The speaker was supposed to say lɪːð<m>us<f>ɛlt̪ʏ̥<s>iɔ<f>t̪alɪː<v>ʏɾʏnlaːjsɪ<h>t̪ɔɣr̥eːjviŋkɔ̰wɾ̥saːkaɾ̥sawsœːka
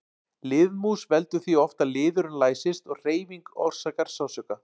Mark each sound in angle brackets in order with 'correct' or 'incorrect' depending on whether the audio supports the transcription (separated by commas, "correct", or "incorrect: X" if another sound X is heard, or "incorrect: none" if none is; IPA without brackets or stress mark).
correct, incorrect: v, incorrect: θ, correct, incorrect: ð, incorrect: s